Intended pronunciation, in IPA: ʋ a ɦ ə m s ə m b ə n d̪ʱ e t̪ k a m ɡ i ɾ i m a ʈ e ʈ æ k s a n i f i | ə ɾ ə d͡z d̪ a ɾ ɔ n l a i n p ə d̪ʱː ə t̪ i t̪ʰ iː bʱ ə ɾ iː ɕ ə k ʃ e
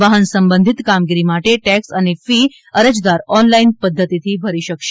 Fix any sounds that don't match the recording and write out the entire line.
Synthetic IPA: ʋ a ɦ ə n s ə m b ə n d̪ʱ i t̪ k a m ɡ i ɾ i m a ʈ e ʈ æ k s a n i f i | ə ɾ ə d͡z d̪ a ɾ ɔ n l a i n p ə d̪ʱː ə t̪ i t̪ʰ iː bʱ ə ɾ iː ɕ ə k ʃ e